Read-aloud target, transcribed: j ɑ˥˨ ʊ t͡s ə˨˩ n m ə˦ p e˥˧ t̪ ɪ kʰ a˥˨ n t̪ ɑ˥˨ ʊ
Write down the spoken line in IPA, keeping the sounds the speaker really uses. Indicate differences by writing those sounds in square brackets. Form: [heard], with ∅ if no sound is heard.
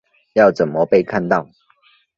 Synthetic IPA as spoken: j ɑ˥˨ ʊ t͡s ə˨˩ n m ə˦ p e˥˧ [∅] ɪ kʰ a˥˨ n t̪ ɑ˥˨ ʊ